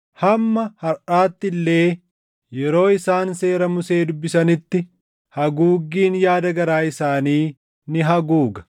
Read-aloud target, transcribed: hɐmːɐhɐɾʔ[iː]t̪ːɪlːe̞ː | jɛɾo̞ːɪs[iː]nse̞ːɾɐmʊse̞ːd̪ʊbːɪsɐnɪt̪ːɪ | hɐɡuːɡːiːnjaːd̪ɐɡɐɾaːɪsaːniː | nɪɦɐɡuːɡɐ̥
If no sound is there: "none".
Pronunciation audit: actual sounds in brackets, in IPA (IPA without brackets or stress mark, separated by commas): aː, aː